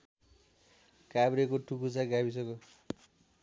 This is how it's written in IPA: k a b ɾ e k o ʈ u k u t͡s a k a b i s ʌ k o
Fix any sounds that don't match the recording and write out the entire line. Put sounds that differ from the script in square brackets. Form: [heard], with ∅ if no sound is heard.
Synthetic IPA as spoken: k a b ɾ e k o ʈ u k u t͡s a [ɡ] a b i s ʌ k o